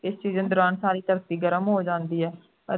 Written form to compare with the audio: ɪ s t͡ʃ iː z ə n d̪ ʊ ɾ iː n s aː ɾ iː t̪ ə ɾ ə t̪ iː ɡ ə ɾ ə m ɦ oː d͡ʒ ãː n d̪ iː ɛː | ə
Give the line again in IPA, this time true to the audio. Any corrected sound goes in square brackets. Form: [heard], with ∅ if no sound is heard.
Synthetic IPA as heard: ɪ s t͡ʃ iː z ə n d̪ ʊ ɾ [aː] n s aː ɾ iː t̪ ə ɾ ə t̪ iː ɡ ə ɾ ə m ɦ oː d͡ʒ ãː n d̪ iː ɛː | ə